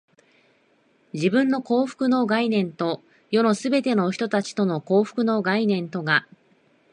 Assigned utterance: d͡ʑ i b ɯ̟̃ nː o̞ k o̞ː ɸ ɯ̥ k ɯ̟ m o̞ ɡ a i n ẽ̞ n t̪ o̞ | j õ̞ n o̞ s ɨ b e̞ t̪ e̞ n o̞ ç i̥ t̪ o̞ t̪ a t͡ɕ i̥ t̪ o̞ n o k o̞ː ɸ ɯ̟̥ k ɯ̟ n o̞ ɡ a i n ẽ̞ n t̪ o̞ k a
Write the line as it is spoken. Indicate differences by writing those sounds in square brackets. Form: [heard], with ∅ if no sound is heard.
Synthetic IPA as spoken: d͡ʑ i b ɯ̟̃ nː o̞ k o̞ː ɸ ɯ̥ k ɯ̟ [n] o̞ ɡ a i n ẽ̞ n t̪ o̞ | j [o̞] n o̞ s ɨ b e̞ t̪ e̞ n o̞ ç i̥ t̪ o̞ t̪ a t͡ɕ i̥ t̪ o̞ n o k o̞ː ɸ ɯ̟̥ k ɯ̟ n o̞ ɡ a i n ẽ̞ n t̪ o̞ [ɡ] a

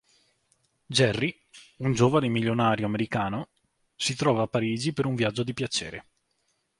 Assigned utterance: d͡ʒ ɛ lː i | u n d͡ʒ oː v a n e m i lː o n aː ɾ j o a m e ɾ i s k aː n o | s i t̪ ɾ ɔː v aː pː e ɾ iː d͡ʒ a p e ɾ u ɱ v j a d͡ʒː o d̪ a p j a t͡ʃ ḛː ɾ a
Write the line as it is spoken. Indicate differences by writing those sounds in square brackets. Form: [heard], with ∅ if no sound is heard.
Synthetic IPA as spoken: d͡ʒ ɛ [rː] i | u n d͡ʒ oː v a n e m i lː o n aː ɾ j o a m e ɾ i [∅] k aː n o | s i t̪ ɾ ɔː v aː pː [a] ɾ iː d͡ʒ [i] p e ɾ u ɱ v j a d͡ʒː o d̪ [i] p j a t͡ʃ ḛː ɾ [e]

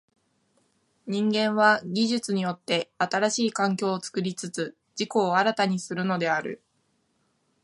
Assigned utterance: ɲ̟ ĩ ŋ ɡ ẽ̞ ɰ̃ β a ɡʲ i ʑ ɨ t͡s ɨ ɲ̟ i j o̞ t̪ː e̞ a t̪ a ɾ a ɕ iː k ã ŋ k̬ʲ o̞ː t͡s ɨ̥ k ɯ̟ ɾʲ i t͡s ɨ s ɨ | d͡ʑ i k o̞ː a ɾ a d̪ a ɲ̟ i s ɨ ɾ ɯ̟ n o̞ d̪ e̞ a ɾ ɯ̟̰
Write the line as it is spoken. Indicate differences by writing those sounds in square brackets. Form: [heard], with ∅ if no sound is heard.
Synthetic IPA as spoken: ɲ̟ ĩ ŋ ɡ ẽ̞ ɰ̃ β a ɡʲ i ʑ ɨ t͡s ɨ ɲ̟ i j o̞ t̪ː e̞ a t̪ a ɾ a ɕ iː k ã ŋ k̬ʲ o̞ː t͡s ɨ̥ k ɯ̟ ɾʲ i t͡s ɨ [t͡s] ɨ | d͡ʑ i k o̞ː a ɾ a [t̪] a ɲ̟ i s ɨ ɾ ɯ̟ n o̞ d̪ e̞ a ɾ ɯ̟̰

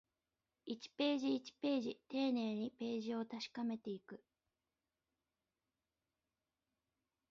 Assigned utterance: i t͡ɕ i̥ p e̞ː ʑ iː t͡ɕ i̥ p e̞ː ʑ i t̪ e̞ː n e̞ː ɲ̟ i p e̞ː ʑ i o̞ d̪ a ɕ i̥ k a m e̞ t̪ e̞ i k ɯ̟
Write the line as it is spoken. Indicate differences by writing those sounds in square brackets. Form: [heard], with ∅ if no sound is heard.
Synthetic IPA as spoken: i t͡ɕ i̥ p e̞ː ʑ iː t͡ɕ i̥ p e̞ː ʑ i t̪ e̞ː n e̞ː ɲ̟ i p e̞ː ʑ i o̞ [t̪] a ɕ i̥ k a m e̞ t̪ e̞ i k ɯ̟

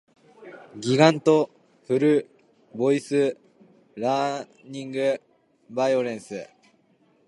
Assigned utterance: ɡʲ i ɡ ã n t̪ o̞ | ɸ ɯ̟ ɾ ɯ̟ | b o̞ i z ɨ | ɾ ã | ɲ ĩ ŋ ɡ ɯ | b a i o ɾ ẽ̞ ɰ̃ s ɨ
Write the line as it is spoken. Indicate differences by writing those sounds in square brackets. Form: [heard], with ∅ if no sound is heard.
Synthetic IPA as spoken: ɡʲ i ɡ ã n t̪ o̞ | ɸ ɯ̟ ɾ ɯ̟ | b o̞ i [s] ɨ | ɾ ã | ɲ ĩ ŋ ɡ ɯ | b a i o ɾ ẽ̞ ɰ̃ s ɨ

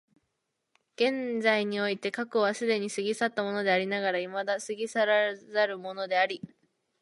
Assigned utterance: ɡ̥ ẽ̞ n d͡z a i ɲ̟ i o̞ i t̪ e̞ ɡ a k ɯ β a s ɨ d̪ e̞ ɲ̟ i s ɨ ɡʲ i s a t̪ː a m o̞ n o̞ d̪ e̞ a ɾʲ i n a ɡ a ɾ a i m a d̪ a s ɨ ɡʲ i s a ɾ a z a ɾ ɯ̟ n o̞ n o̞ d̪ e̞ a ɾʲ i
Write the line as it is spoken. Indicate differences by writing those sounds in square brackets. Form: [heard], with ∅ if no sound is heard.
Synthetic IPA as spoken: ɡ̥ ẽ̞ n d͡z a i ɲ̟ i o̞ i t̪ e̞ [k] a k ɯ β a s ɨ d̪ e̞ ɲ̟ i s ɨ ɡʲ i s a t̪ː a m o̞ n o̞ d̪ e̞ a ɾʲ i n a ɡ a ɾ a i m a d̪ a s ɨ ɡʲ i s a ɾ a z a ɾ ɯ̟ [m] o̞ n o̞ d̪ e̞ a ɾʲ i

